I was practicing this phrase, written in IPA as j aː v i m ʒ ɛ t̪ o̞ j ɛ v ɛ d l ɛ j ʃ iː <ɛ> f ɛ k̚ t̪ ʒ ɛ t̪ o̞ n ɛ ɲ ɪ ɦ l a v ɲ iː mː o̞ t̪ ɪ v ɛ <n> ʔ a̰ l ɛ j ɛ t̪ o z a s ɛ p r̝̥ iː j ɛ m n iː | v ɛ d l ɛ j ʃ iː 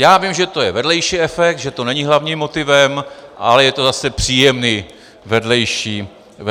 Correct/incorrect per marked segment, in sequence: correct, incorrect: m

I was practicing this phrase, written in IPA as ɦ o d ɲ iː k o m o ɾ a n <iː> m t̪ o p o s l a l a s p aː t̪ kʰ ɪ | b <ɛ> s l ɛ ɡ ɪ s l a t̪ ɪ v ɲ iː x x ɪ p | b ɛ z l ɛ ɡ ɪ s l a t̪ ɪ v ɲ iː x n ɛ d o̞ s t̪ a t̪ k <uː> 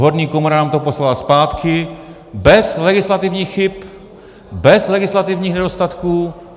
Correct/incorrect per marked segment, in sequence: incorrect: aː, correct, correct

